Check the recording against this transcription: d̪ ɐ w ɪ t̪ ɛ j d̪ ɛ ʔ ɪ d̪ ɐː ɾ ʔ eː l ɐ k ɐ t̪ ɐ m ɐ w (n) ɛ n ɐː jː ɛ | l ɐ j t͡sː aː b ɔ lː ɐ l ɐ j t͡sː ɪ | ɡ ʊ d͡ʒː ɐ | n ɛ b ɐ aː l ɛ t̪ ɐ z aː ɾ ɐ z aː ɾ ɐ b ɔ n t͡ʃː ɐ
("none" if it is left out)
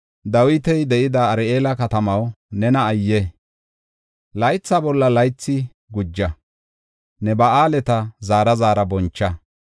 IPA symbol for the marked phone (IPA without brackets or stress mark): n